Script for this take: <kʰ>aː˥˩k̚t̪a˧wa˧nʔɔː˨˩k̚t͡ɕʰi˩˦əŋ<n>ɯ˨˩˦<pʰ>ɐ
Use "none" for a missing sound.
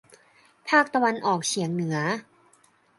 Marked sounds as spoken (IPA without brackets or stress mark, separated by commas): pʰ, n, none